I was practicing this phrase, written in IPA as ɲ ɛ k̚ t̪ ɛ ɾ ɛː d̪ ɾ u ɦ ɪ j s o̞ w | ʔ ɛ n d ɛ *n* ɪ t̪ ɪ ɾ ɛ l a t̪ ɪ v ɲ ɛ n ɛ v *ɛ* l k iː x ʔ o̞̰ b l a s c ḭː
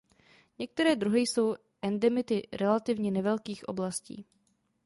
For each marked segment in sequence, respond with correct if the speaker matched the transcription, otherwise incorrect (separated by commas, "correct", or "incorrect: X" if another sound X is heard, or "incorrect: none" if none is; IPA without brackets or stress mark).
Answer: incorrect: m, correct